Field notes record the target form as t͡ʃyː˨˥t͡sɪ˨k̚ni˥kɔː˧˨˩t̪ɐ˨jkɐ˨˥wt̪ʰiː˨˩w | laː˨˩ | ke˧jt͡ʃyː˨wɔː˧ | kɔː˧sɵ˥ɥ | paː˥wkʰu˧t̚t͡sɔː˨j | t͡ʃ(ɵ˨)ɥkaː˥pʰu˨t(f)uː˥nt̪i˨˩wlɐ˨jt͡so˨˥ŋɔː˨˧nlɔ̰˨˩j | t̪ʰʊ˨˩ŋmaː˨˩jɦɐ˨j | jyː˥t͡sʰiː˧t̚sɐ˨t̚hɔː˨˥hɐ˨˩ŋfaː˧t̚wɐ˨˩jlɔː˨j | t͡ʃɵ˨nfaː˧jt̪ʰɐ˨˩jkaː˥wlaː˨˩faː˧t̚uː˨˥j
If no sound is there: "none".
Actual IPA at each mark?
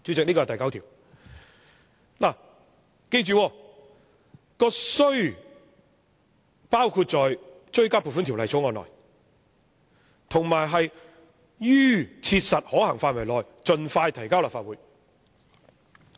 ɵ˥, f

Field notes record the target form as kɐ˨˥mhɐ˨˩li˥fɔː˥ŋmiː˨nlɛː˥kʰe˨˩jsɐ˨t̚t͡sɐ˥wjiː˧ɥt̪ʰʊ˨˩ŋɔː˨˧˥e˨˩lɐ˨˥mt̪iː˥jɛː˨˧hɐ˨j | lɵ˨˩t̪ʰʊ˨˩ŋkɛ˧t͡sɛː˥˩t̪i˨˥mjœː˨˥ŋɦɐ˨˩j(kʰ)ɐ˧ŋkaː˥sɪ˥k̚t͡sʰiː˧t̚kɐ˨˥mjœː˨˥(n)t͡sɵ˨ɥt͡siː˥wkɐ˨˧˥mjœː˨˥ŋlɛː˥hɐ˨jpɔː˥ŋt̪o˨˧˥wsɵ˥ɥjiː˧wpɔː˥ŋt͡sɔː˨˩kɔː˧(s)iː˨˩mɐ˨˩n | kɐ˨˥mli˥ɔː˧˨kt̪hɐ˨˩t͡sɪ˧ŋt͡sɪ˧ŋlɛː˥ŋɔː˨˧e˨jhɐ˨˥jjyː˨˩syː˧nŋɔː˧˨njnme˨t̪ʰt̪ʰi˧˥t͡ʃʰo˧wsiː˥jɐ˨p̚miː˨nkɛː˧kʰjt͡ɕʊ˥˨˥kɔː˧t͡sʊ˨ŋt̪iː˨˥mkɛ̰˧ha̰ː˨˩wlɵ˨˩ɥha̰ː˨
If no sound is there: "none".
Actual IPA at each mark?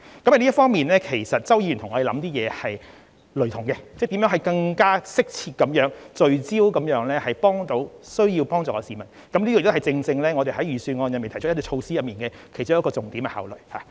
k, ŋ, s

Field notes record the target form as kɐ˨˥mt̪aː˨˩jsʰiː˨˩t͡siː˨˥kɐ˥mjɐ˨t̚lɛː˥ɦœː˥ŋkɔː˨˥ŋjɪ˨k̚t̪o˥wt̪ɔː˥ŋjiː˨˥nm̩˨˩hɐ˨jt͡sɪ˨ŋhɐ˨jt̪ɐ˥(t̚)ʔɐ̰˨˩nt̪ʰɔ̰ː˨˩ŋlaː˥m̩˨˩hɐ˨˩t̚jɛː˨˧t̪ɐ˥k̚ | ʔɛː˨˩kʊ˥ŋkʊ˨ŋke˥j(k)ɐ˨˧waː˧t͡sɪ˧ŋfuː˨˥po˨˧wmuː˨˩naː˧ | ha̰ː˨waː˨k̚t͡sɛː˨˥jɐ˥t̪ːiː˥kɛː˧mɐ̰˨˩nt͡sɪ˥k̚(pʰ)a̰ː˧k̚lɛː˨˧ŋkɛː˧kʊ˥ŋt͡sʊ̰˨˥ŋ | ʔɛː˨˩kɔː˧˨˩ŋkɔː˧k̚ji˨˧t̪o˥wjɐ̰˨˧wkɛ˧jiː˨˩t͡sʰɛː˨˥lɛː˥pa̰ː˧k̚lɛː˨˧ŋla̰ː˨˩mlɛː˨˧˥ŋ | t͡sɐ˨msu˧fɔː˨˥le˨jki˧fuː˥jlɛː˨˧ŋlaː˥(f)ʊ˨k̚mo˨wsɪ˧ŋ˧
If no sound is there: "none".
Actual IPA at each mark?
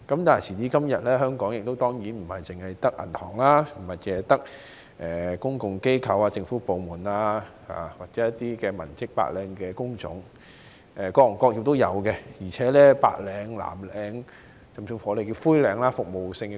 k̚, kʰ, p, f

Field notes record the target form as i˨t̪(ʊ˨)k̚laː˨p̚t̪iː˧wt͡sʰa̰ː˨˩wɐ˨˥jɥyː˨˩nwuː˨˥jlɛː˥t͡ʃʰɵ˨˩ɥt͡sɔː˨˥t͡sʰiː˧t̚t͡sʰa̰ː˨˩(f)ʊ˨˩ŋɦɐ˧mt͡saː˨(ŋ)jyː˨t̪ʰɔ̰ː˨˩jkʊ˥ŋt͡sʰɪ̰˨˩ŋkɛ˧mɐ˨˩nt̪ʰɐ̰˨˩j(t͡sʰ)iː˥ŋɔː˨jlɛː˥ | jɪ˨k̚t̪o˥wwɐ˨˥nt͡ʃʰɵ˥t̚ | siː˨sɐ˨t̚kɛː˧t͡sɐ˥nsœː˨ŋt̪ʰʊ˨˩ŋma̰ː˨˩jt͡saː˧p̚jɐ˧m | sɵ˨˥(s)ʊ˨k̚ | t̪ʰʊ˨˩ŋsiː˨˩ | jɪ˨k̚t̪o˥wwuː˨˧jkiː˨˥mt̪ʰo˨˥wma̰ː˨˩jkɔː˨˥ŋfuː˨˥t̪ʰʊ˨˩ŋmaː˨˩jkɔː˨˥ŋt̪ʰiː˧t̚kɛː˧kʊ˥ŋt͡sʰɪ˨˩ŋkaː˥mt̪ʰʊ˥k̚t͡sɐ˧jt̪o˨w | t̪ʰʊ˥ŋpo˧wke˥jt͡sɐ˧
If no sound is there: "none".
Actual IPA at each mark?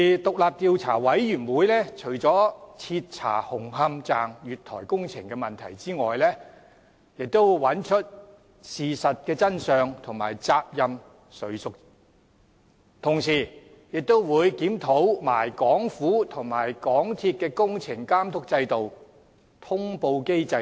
ʊ˨, h, ŋ, t͡s, s

